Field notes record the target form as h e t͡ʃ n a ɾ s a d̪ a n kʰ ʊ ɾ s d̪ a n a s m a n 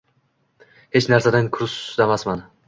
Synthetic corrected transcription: h e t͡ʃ n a ɾ s a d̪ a n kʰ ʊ ɾ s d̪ a m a s m a n